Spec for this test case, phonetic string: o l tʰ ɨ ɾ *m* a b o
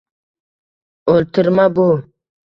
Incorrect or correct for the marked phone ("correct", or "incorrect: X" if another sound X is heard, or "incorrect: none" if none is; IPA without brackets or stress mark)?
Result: correct